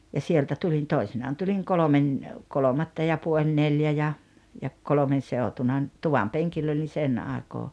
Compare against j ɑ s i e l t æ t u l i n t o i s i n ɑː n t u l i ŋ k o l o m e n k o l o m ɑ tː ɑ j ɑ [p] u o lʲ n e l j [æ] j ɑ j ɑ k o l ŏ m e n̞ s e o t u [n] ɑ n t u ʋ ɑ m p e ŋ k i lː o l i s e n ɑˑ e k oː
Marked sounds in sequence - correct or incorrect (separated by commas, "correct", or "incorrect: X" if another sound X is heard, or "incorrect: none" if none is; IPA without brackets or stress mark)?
correct, correct, correct